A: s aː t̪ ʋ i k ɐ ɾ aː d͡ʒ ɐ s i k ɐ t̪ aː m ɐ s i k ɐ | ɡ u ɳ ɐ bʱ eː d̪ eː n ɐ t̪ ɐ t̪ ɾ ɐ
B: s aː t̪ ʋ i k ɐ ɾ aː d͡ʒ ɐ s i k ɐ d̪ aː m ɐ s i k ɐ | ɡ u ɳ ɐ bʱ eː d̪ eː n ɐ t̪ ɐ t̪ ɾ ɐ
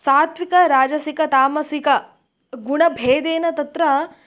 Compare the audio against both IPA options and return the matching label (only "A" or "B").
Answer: A